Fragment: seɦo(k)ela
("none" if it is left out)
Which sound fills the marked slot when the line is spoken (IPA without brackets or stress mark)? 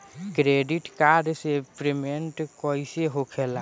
kʰ